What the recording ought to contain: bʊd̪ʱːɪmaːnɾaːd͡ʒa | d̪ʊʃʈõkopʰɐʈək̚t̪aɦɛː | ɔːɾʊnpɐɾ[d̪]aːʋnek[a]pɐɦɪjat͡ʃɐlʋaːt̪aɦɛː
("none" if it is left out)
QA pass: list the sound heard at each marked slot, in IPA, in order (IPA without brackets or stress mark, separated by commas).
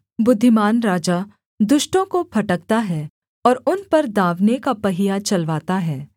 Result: d̪, a